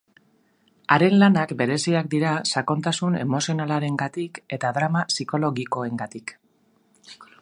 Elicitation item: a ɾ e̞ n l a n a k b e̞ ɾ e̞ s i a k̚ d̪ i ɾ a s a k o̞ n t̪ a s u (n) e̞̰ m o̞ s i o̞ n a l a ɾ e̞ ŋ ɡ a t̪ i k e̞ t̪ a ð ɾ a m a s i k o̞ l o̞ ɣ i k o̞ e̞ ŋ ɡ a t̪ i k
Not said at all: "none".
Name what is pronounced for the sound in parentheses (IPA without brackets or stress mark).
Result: n